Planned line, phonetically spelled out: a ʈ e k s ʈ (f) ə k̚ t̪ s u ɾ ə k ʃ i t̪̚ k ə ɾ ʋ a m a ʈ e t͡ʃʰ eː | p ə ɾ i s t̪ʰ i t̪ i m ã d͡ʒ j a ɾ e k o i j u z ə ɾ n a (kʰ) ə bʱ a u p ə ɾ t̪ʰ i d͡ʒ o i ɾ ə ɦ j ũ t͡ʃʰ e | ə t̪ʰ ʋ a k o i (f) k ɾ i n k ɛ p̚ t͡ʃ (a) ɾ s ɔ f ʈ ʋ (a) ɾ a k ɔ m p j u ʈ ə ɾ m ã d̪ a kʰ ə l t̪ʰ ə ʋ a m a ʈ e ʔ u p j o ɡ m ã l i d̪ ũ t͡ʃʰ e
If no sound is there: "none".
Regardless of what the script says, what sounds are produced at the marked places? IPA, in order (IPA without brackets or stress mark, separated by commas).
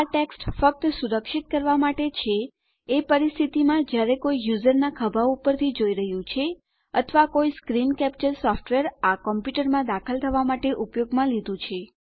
f, kʰ, s, ə, e